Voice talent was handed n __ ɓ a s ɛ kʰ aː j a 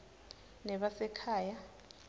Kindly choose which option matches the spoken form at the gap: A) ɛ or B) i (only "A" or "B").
A